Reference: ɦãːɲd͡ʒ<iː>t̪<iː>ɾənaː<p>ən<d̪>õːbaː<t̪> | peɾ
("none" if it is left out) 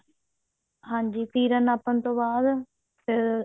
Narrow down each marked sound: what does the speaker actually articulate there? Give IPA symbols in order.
iː, iː, p, t̪, d̪

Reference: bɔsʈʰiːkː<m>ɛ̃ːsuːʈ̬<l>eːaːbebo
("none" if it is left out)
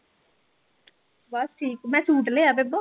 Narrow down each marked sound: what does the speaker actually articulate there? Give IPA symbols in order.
m, l

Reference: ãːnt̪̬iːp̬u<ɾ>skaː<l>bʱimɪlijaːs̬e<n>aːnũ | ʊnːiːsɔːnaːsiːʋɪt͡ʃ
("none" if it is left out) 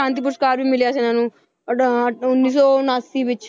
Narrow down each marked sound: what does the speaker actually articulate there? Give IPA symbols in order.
ɾ, ɾ, n

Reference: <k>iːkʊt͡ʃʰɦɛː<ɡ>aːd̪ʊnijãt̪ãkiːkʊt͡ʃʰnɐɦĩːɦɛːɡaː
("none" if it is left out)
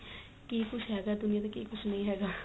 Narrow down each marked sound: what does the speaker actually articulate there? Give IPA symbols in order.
k, ɡ

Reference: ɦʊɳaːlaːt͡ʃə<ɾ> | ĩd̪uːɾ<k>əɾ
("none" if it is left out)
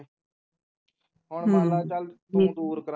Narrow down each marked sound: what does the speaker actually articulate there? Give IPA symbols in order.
l, k

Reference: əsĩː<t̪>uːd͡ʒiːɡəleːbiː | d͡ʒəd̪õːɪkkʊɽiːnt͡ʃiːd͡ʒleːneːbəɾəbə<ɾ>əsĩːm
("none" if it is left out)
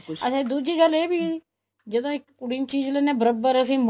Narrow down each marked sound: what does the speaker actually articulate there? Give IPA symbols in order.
d̪, ɾ

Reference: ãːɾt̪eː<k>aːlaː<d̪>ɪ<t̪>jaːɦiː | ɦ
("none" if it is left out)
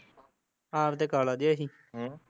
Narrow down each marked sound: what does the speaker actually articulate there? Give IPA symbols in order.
k, d̪, none

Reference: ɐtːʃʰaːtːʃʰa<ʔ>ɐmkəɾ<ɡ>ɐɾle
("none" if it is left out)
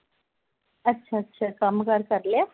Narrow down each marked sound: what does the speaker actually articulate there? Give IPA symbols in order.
k, k

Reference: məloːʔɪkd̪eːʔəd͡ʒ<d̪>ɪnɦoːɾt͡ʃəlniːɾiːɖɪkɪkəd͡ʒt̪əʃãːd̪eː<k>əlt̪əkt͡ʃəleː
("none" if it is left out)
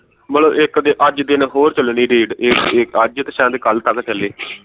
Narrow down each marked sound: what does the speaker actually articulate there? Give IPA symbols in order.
d̪, k

